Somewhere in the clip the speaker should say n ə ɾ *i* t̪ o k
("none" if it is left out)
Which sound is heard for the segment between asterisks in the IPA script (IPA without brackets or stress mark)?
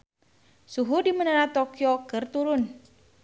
a